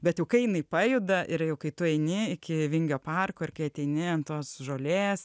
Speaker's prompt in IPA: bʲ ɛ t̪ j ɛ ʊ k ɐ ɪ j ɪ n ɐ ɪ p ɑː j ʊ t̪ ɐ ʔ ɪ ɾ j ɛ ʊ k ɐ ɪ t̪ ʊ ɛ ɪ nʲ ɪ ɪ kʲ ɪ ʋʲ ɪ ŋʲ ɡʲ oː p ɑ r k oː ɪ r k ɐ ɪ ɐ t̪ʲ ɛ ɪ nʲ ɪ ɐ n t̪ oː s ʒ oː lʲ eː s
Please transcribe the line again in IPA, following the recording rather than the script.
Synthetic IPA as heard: bʲ ɛ t̪ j ɛ ʊ k ɐ ɪ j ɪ n ɐ ɪ p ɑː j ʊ d̪ ɐ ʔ ɪ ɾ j ɛ ʊ k ɐ ɪ t̪ ʊ ɛ ɪ nʲ ɪ ɪ kʲ ɪ ʋʲ ɪ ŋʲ ɡʲ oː p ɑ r k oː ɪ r k ɐ ɪ ɐ t̪ʲ ɛ ɪ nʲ ɪ ɐ n t̪ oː s ʒ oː lʲ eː s